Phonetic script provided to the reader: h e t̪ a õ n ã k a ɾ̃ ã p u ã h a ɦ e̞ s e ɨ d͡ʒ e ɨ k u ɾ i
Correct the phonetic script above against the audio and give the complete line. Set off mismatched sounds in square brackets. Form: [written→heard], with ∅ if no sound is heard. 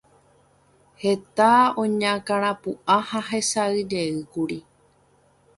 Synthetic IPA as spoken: h e t̪ a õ [n→ɲ] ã k a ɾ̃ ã p u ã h a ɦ e̞ s [e→a] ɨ d͡ʒ e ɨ k u ɾ i